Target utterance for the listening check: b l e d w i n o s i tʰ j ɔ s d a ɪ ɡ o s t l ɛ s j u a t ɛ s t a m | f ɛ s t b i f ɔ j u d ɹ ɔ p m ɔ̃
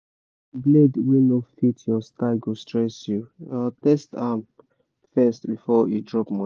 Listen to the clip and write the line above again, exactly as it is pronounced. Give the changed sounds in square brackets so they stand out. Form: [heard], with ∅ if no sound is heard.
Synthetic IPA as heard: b l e d w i n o [f] i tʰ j ɔ s [t] a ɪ ɡ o s t [ɹ] ɛ s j u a t ɛ s t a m | f ɛ s t b i f ɔ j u d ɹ ɔ p m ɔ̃